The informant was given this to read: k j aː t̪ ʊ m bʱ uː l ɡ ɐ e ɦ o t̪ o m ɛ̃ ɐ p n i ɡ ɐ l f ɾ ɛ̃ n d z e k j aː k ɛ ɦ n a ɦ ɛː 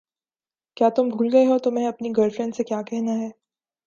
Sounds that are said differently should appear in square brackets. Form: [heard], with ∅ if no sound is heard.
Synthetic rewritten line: k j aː t̪ ʊ m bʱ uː l ɡ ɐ e ɦ o t̪ o m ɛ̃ ɐ p n i ɡ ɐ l f ɾ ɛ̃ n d [s] e k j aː k ɛ ɦ n a ɦ ɛː

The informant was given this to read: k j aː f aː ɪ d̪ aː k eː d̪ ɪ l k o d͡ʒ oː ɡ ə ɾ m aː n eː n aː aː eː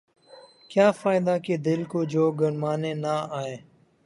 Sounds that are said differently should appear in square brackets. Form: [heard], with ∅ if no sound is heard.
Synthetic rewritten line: k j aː f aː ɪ d̪ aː k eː d̪ ɪ l k o d͡ʒ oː ɡ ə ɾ m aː n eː n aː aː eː

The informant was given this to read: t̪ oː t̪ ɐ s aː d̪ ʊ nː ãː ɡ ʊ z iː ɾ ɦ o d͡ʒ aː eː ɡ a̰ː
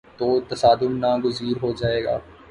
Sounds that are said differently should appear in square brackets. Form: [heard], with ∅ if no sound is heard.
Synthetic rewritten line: t̪ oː t̪ ɐ s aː d̪ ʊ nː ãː ɡ ʊ z iː ɾ ɦ o d͡ʒ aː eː ɡ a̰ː

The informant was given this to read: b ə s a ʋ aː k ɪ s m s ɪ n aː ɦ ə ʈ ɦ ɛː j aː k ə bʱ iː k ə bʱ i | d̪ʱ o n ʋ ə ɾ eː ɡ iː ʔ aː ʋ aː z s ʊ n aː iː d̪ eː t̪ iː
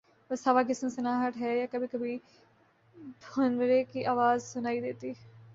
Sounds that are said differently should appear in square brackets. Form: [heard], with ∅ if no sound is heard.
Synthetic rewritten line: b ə s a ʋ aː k ɪ s m s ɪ n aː ɦ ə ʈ ɦ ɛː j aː k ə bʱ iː k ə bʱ i | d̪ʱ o n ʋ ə ɾ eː [k] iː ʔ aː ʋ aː z s ʊ n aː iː d̪ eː t̪ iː

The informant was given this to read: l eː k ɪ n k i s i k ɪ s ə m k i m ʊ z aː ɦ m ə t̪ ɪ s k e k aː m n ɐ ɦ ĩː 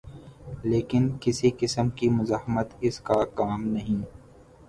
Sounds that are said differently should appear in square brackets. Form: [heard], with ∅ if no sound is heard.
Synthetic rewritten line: l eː k ɪ n k [ɪ] s i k ɪ s ə m k i m ʊ z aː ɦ m ə t̪ ɪ s k [a] k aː m n ɐ ɦ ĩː

